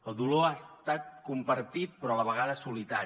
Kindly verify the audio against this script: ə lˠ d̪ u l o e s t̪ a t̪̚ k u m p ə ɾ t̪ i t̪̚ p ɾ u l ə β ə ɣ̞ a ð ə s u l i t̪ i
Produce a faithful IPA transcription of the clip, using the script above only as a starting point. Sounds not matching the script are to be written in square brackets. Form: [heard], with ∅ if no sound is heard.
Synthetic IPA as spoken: ə lˠ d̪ u l o [a] s t̪ a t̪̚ k u m p ə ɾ t̪ i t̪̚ p ɾ [ɔ] l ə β ə ɣ̞ a ð ə s u l i t̪ [a]